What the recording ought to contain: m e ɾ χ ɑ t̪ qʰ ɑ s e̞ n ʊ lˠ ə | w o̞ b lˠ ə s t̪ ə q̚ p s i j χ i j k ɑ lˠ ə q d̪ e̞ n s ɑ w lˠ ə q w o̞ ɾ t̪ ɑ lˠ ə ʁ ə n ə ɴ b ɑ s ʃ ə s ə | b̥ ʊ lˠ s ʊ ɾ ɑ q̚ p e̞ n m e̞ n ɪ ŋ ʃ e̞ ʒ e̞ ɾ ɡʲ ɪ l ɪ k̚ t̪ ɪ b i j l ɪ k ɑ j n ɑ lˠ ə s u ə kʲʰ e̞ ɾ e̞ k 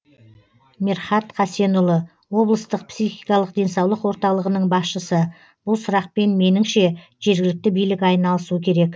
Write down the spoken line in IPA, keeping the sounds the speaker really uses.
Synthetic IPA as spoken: m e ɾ χ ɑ t̪ qʰ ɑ s e̞ n ʊ lˠ ə | w o̞ b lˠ ə s t̪ ə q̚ p s i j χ i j k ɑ lˠ ə q d̪ e̞ n s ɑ w lˠ ə q w o̞ ɾ t̪ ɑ lˠ ə ʁ ə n ə ɴ b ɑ s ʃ ə s ə | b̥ ʊ lˠ s ʊ ɾ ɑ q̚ p e̞ n m e̞ n ɪ ŋ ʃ e̞ ʒ e̞ ɾ ɡʲ ɪ l ɪ k̚ t̪ ɪ b i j l ɪ k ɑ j n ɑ lˠ ə s u ə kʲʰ e̞ ɾ e̞ k

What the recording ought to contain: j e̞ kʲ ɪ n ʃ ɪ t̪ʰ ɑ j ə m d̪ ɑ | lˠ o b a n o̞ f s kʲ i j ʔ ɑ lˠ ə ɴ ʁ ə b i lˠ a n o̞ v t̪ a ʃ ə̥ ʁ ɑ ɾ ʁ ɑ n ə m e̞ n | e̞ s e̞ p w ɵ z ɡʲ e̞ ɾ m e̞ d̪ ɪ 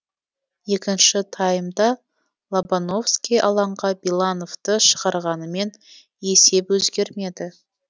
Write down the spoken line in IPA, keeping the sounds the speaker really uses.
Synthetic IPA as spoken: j e̞ kʲ ɪ n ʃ ɪ t̪ʰ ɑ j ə m d̪ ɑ | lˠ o b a n o̞ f s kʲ i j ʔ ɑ lˠ ɑ ɴ ʁ ɑ b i lˠ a n o̞ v t̪ ə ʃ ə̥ ʁ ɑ ɾ ʁ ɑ n ə m e̞ n | e̞ s e̞ p w ɵ z ɡʲ e̞ ɾ m e̞ d̪ ɪ

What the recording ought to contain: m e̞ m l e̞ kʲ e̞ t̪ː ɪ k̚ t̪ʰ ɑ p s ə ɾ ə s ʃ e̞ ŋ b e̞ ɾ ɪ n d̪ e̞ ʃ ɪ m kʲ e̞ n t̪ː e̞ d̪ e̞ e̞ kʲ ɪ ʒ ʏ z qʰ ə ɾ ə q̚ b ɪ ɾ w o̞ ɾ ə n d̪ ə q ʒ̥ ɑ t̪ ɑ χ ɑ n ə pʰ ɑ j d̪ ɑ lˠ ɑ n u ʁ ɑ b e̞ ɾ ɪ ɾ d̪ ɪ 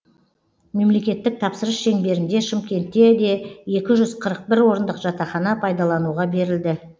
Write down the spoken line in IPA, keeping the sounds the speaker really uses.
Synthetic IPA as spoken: m e̞ m l e̞ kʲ e̞ t̪ː ɪ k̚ t̪ʰ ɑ p s ə ɾ ə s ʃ e̞ ŋ b e̞ ɾ ɪ n d̪ e̞ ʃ ɪ m kʲ e̞ n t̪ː e̞ d̪ e̞ e̞ kʲ ɪ ʒ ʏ z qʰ ə ɾ ə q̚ b ɪ ɾ w o̞ ɾ ə n d̪ ə q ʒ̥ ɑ t̪ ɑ χ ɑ n ɑ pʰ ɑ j d̪ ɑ lˠ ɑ n u ʁ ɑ b e̞ ɾ ɪ l d̪ ɪ

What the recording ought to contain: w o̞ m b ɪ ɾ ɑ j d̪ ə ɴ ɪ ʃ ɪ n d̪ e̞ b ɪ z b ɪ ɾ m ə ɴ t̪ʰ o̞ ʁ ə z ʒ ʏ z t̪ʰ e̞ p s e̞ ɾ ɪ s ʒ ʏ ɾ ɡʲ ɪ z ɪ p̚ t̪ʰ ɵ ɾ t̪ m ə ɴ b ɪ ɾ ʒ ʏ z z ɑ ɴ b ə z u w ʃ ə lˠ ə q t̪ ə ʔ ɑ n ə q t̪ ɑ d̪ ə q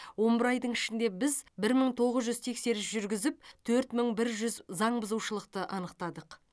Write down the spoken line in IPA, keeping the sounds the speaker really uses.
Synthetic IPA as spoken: w o̞ m b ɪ ɾ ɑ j d̪ ə ɴ ɪ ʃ ɪ n d̪ e̞ b ɪ z b ɪ ɾ m ə ɴ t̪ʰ o̞ ʁ ə z ʒ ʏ z t̪ʰ e̞ k s e̞ ɾ ɪ s ʒ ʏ ɾ ɡʲ ɪ z ɪ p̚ t̪ʰ ɵ ɾ t̪ m ə ɴ b ɪ ɾ ʒ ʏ z z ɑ ɴ b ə z u w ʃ ə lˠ ə q t̪ ə ʔ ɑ n ə q t̪ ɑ d̪ ə q

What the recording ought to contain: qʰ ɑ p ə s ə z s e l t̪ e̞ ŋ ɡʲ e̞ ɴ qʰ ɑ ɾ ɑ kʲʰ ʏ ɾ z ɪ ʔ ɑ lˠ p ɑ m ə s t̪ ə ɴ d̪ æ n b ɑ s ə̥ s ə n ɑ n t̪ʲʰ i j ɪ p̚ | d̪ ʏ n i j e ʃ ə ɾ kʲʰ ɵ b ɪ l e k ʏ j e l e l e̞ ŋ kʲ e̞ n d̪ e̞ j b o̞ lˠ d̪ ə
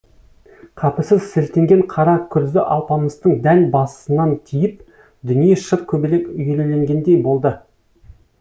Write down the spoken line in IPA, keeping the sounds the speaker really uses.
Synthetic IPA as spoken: qʰ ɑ p ə s ə z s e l t̪ e̞ ŋ ɡʲ e̞ ɴ qʰ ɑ ɾ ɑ kʲʰ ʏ ɾ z ɪ ʔ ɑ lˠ p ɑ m ə s t̪ ə ɴ d̪ æ n b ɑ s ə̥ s ə n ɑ n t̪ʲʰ i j ɪ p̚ | d̪ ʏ n i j e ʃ ə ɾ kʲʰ ɵ b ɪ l e k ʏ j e l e l e̞ ŋ ɡʲ e̞ n d̪ e̞ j b o̞ lˠ d̪ ə

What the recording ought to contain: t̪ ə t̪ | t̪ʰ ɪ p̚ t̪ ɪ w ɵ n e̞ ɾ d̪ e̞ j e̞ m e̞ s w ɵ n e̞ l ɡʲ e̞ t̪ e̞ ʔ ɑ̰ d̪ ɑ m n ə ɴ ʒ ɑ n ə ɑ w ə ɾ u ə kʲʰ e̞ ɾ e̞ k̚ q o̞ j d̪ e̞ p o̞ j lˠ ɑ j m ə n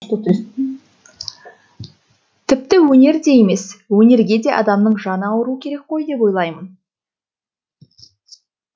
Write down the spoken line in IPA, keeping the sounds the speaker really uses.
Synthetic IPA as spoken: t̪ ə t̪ | t̪ʰ ɪ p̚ t̪ ɪ w ɵ n e̞ ɾ d̪ e̞ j e̞ m e̞ s w ɵ n e̞ ɾ ɡʲ e̞ d̪ e̞ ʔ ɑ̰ d̪ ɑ m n ə ɴ ʒ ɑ n ə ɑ w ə ɾ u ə kʲʰ e̞ ɾ e̞ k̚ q o̞ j d̪ e̞ p o̞ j lˠ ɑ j m ə n

